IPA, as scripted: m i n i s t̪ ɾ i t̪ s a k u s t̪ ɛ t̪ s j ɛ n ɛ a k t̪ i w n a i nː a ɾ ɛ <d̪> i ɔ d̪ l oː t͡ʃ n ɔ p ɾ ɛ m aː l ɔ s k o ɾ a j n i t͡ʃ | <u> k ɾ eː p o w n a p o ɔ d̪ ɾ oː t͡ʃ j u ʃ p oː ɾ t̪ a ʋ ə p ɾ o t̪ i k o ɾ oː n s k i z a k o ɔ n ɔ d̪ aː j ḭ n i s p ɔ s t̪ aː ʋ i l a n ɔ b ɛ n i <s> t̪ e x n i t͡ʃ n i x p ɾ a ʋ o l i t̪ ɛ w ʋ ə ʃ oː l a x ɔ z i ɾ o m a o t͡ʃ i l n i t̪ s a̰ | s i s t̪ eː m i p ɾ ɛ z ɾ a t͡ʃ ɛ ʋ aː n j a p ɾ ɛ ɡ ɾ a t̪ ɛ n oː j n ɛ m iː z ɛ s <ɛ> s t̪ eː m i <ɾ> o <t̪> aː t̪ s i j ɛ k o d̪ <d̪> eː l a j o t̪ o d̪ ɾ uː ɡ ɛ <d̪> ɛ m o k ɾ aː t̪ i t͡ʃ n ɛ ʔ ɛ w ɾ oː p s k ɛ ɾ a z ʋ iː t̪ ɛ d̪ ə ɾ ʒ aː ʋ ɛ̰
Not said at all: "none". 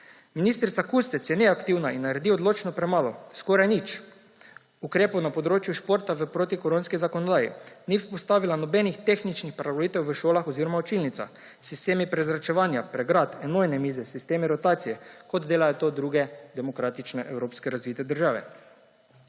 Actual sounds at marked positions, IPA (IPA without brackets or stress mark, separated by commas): d̪, u, x, i, ɾ, t̪, d̪, d̪